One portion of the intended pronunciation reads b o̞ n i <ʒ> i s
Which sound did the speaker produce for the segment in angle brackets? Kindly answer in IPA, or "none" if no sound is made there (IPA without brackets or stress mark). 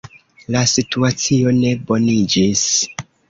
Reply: d͡ʒ